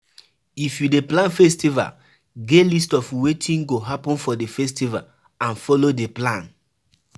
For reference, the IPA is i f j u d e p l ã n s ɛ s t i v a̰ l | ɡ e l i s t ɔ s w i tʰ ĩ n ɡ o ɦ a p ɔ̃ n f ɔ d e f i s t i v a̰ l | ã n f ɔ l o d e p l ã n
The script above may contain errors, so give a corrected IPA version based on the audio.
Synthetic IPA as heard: i f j u d e p l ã n f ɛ s t i v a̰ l | ɡ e l i s t ɔ f w e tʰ ĩ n ɡ o ɦ a p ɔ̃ n f ɔ d e f ɛ s t i v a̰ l | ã n f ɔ l o d e p l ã n

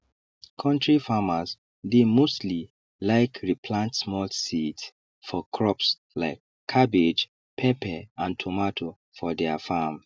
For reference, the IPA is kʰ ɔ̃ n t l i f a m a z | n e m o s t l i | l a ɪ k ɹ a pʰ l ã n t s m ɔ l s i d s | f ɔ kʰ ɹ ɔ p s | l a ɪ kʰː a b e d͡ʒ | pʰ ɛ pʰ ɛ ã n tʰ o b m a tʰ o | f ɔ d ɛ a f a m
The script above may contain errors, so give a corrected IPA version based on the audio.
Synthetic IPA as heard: kʰ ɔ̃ n t ɹ i f a m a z | d e m o s t l i | l a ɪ k ɹ i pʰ l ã n t s m ɔ l s i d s | f ɔ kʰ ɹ ɔ p s | l a ɪ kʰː a b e d͡ʒ | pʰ ɛ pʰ ɛ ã n tʰ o m a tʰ o | f ɔ d ɛ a f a m

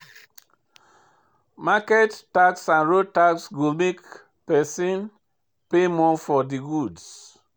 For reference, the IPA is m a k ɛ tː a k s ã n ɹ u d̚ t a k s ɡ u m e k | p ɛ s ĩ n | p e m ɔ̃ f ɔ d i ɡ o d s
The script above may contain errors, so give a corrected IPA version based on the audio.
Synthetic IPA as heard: m a k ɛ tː a k s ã n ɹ o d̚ t a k s ɡ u m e k | p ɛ s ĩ n | p e m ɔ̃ f ɔ d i ɡ u d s

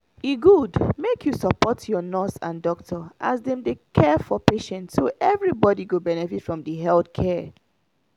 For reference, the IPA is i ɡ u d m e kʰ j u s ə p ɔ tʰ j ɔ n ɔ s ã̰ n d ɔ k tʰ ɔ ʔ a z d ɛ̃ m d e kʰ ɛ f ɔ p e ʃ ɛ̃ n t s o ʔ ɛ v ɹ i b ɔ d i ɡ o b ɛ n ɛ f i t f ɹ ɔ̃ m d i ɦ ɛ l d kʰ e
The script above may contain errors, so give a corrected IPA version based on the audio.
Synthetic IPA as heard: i ɡ u d m e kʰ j u s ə p ɔ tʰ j ɔ n ɔ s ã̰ n d ɔ k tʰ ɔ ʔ a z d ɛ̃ m d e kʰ ɛ f ɔ p e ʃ ɛ̃ n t s o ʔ ɛ v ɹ i b ɔ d i ɡ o b ɛ n ɛ f i t f ɹ ɔ̃ m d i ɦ ɛ l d kʰ ɛ

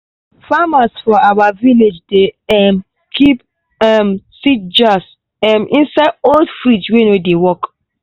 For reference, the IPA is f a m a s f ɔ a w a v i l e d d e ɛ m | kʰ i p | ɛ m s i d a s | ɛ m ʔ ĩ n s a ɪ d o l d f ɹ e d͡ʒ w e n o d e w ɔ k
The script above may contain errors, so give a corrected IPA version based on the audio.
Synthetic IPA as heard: f a m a s f ɔ a w a v i l e d͡ʒ d e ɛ m | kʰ i p | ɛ m s i d͡ʒ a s | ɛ m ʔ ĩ n s a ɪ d o l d f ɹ i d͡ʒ w e n o d e w ɔ k

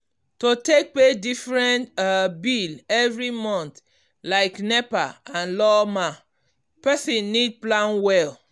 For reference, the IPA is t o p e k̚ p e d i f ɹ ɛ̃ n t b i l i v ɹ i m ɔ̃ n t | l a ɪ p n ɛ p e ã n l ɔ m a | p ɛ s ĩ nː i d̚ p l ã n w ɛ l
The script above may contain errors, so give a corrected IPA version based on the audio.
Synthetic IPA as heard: t o t e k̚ p e d i f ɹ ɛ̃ n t b i l ɛ v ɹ i m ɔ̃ n t | l a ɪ k n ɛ p a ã n l ɔ m a | p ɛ s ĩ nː i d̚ p l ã n w ɛ l

